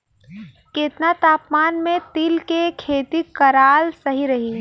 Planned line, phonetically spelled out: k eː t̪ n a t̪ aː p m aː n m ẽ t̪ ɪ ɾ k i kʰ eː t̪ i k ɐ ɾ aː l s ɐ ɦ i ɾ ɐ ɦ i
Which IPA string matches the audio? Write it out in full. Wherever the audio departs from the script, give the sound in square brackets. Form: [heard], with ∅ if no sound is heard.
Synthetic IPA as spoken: k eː t̪ n a t̪ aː p m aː n m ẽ t̪ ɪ [l] k [e] kʰ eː t̪ i k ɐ ɾ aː l s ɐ ɦ i ɾ ɐ ɦ i